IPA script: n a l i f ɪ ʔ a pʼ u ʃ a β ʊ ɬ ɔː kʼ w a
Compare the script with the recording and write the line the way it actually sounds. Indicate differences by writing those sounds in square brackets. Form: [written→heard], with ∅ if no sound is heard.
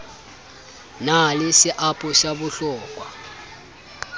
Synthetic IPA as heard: n a l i [f→s] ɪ ʔ a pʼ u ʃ a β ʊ ɬ ɔː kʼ w a